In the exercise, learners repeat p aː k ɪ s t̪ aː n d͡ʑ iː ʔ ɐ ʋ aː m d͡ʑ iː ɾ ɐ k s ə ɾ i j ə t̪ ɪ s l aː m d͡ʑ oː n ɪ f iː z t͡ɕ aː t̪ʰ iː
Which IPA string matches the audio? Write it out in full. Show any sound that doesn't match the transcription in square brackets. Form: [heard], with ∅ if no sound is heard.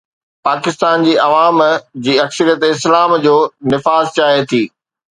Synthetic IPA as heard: p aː k ɪ s t̪ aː n d͡ʑ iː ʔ ɐ ʋ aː m d͡ʑ iː [∅] ɐ k s ə ɾ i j ə t̪ ɪ s l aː m d͡ʑ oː n ɪ f [aː] z t͡ɕ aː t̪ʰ iː